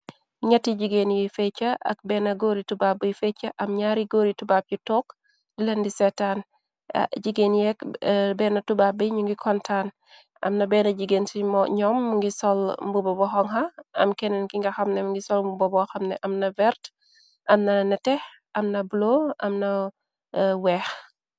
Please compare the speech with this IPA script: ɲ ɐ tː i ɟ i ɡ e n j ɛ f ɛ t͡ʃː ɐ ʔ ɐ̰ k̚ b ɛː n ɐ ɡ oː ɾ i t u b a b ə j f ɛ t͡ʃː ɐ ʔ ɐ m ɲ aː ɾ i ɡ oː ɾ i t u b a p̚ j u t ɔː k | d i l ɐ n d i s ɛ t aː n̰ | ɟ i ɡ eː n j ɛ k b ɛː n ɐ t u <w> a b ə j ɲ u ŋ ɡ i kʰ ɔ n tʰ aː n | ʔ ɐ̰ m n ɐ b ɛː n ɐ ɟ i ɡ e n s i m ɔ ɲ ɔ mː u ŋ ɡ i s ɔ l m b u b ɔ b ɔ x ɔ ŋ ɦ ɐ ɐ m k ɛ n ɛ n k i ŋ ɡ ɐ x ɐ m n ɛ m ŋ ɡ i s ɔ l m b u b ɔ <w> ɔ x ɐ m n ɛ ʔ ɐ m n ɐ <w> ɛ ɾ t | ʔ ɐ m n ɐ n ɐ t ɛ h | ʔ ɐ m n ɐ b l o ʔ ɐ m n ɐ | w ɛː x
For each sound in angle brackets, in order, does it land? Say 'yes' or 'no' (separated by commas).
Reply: no, no, no